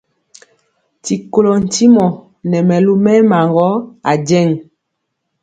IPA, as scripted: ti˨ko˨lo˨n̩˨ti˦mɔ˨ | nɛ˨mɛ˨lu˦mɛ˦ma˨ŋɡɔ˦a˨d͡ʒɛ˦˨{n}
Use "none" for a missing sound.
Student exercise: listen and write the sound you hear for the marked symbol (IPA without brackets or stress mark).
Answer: ŋ